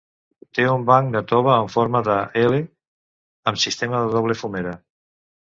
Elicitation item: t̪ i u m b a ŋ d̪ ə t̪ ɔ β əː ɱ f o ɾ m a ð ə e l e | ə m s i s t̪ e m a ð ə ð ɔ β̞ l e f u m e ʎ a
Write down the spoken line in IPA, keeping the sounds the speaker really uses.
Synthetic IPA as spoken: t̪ e u m b a ŋ d̪ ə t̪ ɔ β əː ɱ f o ɾ m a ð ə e l e | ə m s i s t̪ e m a ð ə ð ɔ β̞ l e f u m e ɾ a